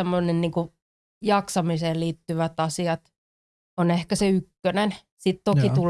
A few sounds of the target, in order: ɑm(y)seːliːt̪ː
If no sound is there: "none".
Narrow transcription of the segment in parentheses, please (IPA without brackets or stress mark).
i